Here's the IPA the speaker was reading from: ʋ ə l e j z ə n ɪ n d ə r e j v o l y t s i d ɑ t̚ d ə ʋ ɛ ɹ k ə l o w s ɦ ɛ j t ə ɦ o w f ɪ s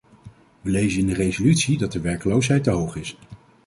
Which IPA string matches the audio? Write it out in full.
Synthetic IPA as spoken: ʋ ə l e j z ə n ɪ n d ə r e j z o l y t s i d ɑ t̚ d ə ʋ ɛ ɹ k ə l o w s ɦ ɛ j t ə ɦ o w χ ɪ s